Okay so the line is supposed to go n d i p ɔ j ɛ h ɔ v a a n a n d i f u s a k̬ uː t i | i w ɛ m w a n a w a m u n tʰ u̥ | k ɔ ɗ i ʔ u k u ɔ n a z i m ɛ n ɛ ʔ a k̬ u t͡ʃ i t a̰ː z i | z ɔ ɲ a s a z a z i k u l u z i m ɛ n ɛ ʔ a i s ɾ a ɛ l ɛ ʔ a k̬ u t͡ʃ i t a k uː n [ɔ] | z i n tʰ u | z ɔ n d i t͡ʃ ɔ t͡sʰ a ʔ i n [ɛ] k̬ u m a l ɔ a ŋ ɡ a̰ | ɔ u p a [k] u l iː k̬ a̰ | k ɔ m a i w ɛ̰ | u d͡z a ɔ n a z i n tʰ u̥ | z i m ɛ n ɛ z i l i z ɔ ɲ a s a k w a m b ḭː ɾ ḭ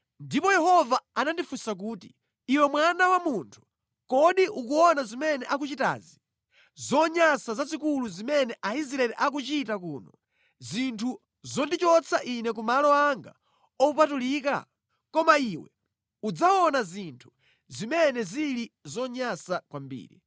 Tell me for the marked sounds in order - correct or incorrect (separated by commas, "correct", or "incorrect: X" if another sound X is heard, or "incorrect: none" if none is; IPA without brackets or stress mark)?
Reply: correct, correct, incorrect: t